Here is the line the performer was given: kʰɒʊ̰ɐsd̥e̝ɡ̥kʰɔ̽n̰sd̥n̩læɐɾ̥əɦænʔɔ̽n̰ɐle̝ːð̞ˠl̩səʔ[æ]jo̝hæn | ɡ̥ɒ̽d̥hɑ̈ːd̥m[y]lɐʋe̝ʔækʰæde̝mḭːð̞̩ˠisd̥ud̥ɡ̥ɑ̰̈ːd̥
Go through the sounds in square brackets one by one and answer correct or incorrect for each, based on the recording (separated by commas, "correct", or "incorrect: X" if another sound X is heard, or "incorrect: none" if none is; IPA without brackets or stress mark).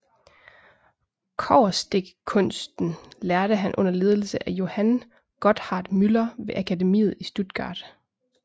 correct, correct